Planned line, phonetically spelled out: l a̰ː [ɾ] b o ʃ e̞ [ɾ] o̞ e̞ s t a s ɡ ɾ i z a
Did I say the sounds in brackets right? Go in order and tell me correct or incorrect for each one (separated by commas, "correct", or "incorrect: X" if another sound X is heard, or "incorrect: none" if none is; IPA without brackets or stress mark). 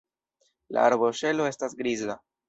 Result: correct, incorrect: l